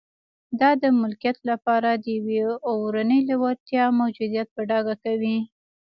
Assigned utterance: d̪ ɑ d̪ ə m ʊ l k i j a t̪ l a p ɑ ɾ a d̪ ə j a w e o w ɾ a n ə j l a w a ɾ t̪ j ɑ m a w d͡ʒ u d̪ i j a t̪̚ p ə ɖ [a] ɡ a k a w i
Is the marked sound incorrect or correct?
incorrect